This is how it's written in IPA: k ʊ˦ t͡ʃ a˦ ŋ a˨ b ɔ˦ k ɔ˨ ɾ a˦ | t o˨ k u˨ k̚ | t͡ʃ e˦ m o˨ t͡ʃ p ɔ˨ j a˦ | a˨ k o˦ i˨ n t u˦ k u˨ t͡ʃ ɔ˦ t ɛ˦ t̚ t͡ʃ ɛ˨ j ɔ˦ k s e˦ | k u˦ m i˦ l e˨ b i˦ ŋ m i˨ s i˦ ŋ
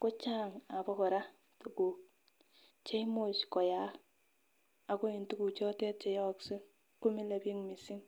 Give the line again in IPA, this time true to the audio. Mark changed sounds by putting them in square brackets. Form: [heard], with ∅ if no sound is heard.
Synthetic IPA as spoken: k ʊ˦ t͡ʃ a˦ ŋ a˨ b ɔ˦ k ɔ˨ ɾ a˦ | t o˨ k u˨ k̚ | t͡ʃ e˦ m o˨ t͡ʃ [k] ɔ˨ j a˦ | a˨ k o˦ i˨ n t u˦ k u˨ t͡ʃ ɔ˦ t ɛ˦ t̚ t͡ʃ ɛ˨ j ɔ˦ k s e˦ | k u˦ m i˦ l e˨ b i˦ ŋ m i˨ s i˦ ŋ